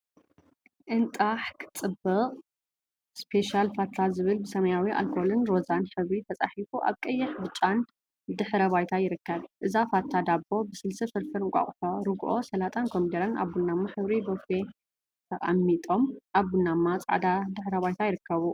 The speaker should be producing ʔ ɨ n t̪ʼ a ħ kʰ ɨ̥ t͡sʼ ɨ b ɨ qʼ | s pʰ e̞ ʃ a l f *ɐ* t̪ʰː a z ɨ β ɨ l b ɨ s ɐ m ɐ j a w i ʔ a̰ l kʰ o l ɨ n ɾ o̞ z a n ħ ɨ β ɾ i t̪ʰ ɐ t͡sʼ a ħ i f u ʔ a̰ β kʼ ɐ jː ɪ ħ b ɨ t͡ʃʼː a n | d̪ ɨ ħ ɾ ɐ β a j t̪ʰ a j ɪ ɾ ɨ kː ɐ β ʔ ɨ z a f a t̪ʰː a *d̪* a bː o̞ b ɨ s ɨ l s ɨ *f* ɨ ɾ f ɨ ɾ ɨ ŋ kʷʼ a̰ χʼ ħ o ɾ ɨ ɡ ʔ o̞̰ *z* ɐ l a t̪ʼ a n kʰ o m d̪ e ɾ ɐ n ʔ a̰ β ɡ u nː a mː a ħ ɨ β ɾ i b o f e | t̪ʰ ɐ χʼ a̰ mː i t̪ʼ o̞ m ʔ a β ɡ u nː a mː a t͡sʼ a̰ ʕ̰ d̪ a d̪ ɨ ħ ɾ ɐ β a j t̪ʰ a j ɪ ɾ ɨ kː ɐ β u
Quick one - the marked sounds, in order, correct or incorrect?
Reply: incorrect, correct, correct, incorrect

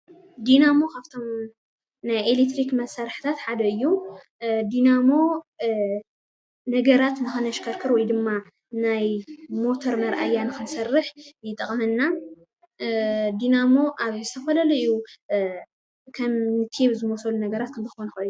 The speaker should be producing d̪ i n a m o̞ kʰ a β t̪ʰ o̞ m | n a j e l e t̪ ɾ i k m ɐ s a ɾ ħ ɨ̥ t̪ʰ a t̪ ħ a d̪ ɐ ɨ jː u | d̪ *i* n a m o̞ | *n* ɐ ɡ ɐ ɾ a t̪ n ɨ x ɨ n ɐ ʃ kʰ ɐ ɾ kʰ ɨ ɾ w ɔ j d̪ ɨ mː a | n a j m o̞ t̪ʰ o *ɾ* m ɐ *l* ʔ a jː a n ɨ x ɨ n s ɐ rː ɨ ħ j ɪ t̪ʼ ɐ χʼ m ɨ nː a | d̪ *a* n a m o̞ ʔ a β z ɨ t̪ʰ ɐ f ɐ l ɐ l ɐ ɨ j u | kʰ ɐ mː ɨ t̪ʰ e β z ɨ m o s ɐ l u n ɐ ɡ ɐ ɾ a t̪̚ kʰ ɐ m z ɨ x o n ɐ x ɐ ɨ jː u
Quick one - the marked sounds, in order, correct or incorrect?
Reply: correct, correct, correct, incorrect, incorrect

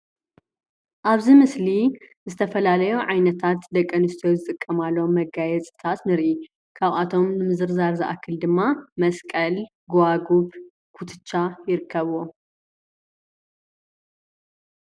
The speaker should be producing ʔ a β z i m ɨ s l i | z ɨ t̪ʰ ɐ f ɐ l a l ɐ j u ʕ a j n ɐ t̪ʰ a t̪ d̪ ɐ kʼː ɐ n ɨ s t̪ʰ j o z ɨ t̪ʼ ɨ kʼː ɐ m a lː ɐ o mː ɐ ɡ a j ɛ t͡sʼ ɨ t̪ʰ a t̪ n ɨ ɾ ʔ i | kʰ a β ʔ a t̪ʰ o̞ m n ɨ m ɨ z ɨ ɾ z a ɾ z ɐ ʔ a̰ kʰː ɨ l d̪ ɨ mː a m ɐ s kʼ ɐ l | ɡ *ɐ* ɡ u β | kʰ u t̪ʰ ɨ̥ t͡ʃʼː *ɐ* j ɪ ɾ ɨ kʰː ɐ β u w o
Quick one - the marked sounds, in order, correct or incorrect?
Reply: incorrect, incorrect

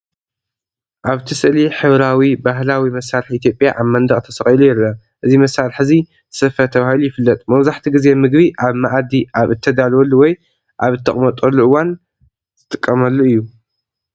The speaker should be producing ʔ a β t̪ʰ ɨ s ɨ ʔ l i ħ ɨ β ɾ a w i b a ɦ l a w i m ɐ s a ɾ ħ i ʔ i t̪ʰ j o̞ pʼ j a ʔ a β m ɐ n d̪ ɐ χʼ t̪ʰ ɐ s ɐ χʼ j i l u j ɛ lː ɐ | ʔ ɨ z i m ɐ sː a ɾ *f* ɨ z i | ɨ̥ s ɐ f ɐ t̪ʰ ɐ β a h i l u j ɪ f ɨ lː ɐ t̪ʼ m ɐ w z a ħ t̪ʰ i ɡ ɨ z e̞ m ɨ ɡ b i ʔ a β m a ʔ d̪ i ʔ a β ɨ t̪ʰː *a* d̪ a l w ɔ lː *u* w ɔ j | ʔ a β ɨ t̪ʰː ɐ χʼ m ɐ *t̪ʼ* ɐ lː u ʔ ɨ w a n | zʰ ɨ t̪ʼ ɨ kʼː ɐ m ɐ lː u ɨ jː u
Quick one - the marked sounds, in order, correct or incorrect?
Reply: incorrect, incorrect, correct, correct

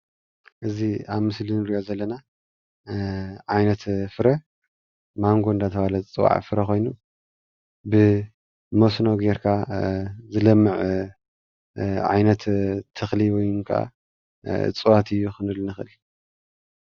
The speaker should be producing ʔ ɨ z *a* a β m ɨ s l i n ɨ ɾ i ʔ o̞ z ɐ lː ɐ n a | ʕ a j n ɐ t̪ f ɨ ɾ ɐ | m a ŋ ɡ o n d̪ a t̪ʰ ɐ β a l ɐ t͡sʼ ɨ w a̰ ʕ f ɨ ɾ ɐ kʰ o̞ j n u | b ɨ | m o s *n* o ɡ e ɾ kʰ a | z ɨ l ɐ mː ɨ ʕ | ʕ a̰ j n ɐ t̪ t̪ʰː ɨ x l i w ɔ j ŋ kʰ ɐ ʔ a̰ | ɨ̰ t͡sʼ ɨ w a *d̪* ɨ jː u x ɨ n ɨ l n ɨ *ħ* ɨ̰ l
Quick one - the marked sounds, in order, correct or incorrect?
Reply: incorrect, correct, incorrect, incorrect

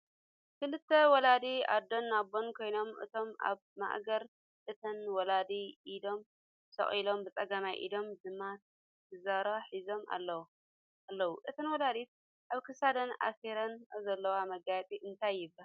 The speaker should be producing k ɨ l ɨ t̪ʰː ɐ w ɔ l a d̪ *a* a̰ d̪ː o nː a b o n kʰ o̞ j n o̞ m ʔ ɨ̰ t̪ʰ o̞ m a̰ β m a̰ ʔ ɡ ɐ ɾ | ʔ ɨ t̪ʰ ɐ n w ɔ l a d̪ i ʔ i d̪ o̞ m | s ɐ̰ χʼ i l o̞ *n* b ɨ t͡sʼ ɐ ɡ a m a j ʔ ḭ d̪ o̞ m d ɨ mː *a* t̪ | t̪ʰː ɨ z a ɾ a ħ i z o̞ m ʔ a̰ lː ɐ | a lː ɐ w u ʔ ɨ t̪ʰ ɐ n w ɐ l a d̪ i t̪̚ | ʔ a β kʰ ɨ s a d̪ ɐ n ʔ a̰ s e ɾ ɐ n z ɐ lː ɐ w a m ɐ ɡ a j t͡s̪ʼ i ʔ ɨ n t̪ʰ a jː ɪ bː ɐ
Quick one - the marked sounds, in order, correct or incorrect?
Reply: incorrect, incorrect, correct

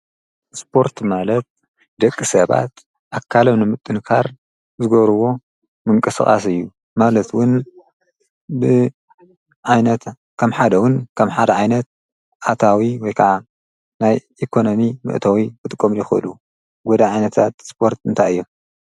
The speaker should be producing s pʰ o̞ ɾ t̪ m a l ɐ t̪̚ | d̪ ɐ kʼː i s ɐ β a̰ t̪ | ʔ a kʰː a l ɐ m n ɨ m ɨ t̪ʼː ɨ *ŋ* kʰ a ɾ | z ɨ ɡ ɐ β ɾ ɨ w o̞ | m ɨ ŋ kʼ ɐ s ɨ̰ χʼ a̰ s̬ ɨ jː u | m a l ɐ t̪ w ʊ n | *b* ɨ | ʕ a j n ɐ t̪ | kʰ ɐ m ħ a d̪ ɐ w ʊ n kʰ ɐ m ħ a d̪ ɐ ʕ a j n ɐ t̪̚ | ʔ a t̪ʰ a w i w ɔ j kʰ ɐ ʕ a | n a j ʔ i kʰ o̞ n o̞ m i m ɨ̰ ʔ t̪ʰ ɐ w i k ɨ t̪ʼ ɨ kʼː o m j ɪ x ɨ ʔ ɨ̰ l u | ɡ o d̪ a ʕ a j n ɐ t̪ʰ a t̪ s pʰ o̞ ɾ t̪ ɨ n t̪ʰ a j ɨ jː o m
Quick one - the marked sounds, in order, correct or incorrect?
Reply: incorrect, correct

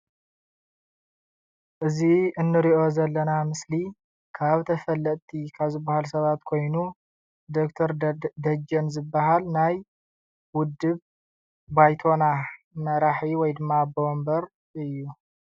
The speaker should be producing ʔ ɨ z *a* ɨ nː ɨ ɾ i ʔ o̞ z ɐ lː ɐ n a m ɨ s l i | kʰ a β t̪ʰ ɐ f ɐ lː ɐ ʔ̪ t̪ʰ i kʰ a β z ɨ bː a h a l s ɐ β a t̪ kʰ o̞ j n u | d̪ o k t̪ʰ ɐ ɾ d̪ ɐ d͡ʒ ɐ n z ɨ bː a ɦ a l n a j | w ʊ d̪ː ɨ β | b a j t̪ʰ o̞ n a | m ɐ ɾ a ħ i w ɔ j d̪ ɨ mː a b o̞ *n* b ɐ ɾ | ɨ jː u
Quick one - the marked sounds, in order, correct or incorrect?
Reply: incorrect, incorrect

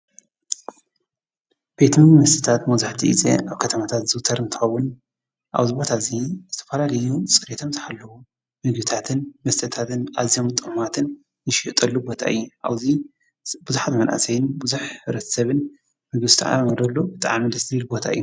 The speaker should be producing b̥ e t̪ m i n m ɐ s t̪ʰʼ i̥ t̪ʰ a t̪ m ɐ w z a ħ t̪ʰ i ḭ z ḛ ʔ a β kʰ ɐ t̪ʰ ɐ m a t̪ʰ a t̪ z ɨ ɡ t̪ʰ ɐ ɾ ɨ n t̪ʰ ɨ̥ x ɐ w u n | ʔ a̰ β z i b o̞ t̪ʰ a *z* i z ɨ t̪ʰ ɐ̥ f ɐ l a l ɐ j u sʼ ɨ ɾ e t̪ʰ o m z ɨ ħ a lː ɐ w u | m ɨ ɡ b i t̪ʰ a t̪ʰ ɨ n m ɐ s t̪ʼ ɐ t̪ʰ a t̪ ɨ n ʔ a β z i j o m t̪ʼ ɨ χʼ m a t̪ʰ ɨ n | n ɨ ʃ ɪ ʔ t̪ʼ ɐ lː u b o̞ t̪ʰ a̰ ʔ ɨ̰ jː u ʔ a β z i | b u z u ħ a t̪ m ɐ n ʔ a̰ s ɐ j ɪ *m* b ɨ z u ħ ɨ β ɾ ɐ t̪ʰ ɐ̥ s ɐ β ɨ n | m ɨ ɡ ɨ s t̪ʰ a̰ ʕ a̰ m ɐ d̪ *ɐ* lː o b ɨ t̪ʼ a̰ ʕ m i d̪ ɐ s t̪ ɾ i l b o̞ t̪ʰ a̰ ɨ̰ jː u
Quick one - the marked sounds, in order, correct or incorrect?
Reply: correct, incorrect, correct

